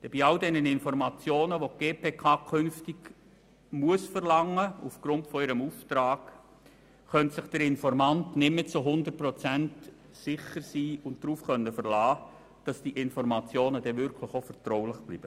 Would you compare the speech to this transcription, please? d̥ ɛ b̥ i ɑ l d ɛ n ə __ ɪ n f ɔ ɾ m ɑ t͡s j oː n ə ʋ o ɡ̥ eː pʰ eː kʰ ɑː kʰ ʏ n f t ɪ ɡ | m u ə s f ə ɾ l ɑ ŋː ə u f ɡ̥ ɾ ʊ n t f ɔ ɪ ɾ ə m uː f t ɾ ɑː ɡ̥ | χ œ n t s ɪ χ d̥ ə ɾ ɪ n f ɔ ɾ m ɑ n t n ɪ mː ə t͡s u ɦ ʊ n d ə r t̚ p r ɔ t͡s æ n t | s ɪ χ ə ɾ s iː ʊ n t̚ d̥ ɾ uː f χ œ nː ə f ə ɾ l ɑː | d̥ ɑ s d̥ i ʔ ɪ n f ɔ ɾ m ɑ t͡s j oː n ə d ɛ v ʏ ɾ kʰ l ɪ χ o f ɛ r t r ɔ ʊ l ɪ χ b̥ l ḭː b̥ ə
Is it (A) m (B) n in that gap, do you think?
B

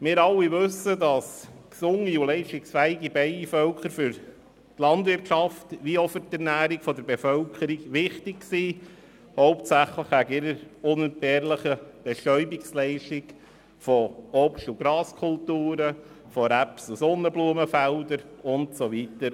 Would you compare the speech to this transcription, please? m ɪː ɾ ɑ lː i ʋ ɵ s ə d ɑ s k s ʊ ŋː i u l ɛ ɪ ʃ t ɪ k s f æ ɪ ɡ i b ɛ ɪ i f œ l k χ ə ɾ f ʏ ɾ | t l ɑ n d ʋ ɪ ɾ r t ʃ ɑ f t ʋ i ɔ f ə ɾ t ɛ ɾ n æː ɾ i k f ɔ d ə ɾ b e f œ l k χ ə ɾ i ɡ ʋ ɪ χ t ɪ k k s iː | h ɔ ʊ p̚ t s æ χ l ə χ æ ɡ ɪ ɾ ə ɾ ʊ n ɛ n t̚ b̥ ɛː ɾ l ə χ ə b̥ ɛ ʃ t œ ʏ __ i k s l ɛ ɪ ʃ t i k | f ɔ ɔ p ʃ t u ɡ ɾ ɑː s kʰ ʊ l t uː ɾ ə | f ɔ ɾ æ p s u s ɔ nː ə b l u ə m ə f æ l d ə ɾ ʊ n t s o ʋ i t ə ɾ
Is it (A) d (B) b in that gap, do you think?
B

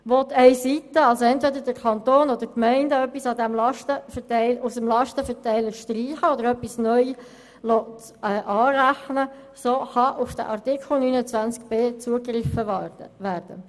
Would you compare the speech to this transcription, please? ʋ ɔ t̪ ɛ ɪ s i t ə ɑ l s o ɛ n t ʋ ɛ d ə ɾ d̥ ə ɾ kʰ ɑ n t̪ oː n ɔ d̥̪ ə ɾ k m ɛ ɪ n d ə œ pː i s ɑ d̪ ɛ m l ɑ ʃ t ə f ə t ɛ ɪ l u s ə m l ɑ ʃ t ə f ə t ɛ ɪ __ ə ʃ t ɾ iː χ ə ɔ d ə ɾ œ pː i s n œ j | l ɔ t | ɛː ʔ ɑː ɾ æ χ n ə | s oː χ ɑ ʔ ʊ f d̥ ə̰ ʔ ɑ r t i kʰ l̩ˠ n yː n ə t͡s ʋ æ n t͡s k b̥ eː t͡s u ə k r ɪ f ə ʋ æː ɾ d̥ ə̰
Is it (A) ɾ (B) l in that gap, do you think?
B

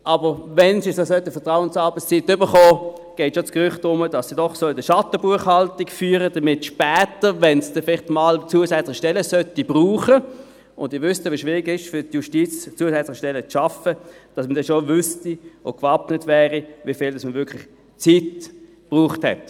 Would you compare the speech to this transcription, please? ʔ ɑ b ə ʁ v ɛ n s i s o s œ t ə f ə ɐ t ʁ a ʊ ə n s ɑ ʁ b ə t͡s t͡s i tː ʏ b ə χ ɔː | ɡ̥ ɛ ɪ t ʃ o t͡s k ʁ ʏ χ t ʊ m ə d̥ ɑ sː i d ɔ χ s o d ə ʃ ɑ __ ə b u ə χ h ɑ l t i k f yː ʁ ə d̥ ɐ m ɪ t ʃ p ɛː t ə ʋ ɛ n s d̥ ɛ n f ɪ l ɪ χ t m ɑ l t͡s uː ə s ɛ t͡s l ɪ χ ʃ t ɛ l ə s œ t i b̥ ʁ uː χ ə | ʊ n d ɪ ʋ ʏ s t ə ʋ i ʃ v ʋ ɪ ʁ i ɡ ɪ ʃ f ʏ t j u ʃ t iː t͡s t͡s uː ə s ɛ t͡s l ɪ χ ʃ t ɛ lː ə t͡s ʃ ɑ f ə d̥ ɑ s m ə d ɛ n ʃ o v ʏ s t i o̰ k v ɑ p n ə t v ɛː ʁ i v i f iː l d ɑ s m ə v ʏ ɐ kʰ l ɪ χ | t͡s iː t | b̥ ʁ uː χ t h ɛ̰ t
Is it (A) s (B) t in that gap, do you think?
B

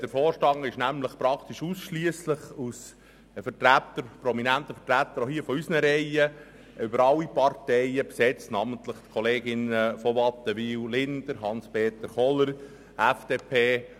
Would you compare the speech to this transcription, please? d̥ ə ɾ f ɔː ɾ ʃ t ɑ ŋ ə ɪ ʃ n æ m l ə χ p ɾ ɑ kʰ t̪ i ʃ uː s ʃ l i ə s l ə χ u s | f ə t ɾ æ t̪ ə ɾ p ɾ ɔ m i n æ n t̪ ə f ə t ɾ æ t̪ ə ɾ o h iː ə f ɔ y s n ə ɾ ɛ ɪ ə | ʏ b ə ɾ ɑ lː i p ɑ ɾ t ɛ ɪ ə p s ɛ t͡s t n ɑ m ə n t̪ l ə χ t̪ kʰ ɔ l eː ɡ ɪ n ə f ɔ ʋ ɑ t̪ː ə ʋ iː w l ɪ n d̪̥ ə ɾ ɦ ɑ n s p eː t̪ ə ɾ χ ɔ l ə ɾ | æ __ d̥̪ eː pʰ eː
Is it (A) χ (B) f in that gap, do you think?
B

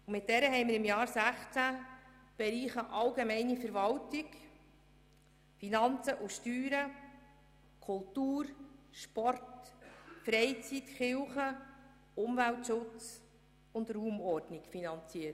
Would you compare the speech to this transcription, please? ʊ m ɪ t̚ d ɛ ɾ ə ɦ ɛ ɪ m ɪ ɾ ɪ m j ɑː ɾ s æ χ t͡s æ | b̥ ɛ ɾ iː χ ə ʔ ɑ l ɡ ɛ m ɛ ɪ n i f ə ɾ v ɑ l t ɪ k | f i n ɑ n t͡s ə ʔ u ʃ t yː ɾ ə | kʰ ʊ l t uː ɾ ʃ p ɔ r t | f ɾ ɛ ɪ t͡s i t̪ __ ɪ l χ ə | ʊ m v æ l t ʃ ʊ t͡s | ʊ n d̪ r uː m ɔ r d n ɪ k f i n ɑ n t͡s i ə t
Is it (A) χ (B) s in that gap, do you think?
A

